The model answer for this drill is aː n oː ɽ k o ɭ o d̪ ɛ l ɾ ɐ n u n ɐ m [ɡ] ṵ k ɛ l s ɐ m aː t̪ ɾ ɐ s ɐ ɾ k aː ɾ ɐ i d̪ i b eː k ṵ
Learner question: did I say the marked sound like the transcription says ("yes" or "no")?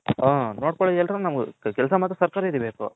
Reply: yes